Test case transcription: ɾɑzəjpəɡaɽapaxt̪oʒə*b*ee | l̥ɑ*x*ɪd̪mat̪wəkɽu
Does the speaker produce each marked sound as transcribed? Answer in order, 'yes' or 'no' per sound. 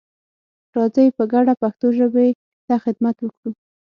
yes, yes

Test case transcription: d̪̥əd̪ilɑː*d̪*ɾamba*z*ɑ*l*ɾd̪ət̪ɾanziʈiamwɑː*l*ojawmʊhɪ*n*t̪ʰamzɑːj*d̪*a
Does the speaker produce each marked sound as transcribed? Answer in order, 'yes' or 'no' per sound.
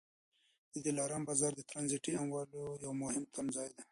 no, yes, no, yes, no, yes

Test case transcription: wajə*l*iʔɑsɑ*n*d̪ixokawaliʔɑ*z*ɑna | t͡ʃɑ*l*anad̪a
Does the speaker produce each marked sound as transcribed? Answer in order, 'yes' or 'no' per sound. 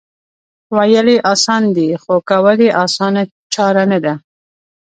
yes, yes, no, no

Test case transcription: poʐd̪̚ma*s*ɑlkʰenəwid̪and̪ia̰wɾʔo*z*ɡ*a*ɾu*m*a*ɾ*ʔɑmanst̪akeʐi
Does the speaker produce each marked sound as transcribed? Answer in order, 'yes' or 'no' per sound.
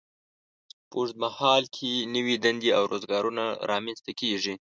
no, yes, no, no, yes

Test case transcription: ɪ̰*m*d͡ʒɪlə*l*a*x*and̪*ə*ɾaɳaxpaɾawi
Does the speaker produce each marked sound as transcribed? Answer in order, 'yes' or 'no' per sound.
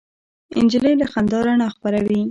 no, yes, yes, no

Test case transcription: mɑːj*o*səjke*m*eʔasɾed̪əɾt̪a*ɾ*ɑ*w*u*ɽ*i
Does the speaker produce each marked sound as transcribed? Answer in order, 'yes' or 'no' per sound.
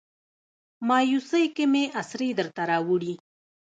no, yes, yes, yes, yes

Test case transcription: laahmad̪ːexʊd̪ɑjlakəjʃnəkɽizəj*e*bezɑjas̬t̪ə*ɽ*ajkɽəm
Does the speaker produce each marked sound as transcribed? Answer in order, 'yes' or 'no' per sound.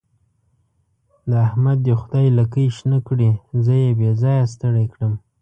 yes, yes

